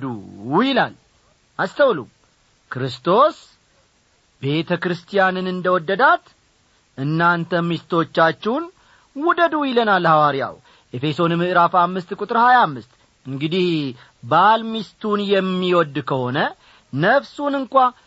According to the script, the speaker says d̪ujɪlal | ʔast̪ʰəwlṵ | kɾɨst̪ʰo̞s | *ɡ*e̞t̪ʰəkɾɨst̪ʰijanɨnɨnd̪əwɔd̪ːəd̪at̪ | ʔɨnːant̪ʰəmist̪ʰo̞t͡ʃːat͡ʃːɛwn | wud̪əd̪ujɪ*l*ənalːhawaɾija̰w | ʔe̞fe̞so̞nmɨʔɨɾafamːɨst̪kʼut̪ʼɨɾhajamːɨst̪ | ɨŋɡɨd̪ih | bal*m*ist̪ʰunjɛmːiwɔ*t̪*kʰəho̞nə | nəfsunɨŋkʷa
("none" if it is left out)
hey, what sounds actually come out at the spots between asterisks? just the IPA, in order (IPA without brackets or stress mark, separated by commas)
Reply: b, l, m, d̪